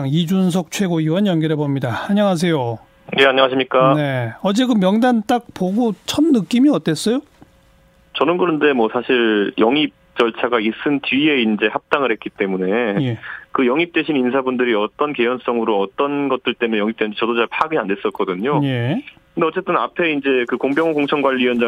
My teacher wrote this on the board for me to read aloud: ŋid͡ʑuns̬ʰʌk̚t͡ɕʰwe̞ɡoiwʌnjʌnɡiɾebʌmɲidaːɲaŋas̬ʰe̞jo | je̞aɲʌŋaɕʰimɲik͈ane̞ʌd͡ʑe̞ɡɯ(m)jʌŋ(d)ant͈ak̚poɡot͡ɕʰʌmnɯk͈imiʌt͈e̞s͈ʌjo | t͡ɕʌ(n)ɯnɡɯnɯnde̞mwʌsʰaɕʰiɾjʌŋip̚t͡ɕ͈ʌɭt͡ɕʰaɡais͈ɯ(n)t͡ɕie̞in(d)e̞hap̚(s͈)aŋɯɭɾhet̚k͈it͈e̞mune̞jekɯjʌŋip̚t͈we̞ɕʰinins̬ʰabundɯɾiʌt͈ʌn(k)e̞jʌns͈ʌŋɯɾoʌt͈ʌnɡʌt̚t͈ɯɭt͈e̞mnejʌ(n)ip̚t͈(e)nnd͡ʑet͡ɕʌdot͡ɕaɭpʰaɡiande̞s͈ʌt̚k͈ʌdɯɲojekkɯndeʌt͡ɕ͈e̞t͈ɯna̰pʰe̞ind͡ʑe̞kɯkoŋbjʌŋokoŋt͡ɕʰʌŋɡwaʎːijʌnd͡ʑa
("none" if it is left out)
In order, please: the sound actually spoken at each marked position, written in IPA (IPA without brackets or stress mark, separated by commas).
m, d, n, n, d͡ʑ, t͈, k, ŋ, e